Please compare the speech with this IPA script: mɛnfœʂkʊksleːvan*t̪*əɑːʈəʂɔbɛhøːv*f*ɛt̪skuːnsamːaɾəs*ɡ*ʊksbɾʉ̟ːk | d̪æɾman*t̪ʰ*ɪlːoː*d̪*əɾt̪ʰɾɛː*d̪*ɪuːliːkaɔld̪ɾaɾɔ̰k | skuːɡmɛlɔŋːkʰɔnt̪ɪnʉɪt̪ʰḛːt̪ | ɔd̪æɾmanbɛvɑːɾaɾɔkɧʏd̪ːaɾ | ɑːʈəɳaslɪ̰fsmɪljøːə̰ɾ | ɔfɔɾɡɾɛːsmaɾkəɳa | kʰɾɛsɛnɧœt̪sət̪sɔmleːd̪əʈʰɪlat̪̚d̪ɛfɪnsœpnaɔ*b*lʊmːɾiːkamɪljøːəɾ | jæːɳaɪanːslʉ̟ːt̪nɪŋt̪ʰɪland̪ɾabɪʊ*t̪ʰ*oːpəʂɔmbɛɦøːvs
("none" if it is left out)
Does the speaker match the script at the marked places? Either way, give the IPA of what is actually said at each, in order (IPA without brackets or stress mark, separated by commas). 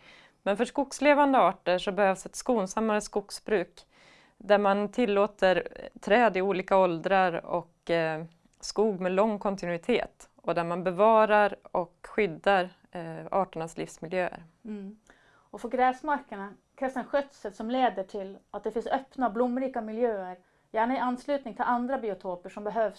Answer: d̪, s, k, t̪ʰ, t̪, d̪, b, t̪ʰ